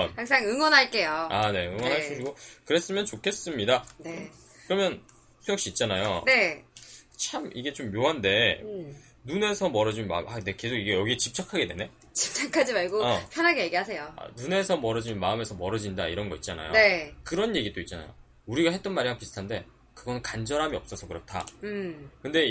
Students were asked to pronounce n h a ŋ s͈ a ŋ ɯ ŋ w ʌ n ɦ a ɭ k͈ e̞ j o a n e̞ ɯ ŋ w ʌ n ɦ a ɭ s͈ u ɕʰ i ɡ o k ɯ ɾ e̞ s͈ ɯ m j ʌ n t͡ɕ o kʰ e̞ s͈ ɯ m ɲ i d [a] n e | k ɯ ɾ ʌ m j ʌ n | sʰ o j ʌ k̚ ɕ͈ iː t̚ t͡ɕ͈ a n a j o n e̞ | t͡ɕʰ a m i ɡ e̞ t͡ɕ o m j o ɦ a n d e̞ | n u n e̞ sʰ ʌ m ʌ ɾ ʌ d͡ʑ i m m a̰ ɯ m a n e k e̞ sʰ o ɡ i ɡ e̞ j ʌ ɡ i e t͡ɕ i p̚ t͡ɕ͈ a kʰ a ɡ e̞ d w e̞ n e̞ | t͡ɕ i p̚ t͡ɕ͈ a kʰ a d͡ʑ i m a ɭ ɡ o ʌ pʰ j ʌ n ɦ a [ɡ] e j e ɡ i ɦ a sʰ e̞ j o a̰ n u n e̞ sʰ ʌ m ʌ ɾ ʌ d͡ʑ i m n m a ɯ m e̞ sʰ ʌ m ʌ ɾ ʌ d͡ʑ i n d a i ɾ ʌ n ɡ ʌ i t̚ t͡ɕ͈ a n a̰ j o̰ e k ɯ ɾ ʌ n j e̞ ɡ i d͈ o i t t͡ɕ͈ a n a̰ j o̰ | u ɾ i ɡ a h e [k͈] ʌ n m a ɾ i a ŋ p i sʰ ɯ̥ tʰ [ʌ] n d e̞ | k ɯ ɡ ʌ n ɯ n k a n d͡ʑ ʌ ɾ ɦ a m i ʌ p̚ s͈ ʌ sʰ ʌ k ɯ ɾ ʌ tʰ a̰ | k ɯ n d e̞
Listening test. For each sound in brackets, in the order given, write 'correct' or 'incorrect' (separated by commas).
correct, correct, incorrect, incorrect